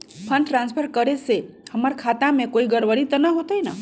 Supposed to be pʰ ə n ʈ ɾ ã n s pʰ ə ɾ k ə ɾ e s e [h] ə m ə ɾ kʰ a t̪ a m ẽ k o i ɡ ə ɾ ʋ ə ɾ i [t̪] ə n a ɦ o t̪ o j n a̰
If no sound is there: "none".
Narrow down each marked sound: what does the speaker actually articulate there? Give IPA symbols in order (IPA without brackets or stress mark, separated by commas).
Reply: h, t̪